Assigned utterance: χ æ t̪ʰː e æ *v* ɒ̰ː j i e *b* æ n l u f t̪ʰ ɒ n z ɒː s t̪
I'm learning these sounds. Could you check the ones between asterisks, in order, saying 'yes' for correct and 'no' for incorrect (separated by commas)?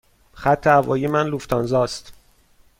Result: yes, no